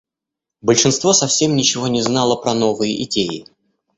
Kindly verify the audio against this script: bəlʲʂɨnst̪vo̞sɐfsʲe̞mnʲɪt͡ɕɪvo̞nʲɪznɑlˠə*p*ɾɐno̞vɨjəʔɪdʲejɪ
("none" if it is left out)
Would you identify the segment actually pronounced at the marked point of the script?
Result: p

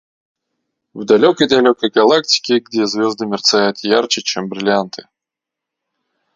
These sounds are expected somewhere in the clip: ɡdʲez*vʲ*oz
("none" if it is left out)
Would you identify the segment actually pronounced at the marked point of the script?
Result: vʲ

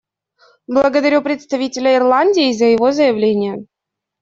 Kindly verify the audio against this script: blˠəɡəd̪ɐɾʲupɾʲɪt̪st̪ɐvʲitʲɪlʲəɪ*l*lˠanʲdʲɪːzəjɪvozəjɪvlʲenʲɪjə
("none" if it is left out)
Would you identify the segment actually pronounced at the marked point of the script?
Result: r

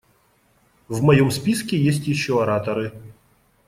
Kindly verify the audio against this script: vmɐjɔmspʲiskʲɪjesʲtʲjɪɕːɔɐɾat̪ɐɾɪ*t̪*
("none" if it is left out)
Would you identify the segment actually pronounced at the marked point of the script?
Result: none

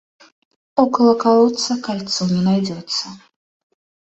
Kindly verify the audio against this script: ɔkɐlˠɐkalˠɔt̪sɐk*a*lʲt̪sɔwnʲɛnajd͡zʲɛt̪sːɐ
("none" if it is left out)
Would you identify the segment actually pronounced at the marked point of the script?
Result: a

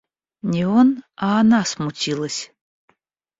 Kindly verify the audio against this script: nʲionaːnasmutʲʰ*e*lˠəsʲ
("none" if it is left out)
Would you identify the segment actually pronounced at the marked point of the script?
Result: i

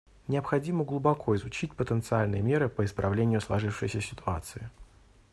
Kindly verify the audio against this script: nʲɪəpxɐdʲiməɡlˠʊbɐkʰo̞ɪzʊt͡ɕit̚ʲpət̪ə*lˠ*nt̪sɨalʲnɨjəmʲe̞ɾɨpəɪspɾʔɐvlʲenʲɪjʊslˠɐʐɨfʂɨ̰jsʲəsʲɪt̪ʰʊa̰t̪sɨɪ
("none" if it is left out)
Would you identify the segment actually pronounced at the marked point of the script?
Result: none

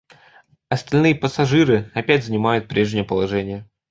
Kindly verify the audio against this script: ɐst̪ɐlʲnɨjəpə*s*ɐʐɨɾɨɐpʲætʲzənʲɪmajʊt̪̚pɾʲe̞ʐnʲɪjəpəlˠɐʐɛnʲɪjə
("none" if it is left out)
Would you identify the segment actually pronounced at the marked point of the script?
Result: s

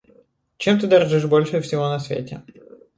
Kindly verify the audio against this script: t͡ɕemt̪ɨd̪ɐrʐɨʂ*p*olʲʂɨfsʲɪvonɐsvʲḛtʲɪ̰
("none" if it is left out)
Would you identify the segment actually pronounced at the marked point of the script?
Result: b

